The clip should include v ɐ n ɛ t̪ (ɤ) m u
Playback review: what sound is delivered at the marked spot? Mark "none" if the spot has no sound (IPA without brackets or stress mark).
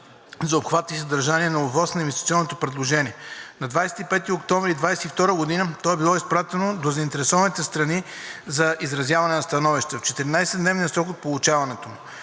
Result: o